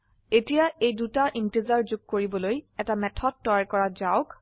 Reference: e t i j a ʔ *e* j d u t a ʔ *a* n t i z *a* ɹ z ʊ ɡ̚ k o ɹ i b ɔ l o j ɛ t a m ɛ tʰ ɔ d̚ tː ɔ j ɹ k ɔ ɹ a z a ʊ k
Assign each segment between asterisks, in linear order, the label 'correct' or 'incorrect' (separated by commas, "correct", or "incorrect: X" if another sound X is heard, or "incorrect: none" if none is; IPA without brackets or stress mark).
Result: correct, incorrect: i, correct